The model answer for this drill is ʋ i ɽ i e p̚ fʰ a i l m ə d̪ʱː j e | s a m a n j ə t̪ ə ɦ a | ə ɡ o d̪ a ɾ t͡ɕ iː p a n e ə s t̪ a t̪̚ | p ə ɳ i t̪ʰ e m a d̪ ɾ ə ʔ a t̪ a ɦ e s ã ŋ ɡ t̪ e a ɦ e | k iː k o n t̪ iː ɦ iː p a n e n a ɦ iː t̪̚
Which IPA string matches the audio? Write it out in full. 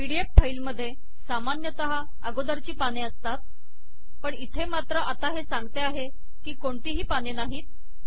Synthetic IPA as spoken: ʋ i ɽ i e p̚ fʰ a i l m ə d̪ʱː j e | s a m a n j ə t̪ ə ɦ a | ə ɡ o d̪ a ɾ t͡ɕ iː p a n e ə s t̪ a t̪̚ | p ə ɳ i t̪ʰ e m a t̪ ɾ ə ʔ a t̪ a ɦ e s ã ŋ ɡ t̪ e a ɦ e | k iː k o ɳ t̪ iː ɦ iː p a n e n a ɦ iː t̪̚